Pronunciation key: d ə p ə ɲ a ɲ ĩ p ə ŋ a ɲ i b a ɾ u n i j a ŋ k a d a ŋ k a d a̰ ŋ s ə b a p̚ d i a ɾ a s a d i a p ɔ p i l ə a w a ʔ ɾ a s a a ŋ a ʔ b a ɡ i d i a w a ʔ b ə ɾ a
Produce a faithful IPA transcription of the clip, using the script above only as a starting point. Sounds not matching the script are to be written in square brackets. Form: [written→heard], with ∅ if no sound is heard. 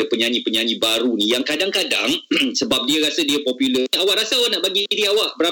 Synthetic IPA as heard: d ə p ə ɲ a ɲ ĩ p ə [ŋ→ɲ] a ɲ i b a ɾ u n i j a ŋ k a d a ŋ k a d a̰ ŋ s ə b a p̚ d i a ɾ a s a d i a p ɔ p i l ə a w a ʔ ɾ a s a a [ŋ→n] a ʔ b a ɡ i d i a w a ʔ b ə ɾ a